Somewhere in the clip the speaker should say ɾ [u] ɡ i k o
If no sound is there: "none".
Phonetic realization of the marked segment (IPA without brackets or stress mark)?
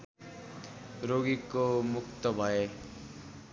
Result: o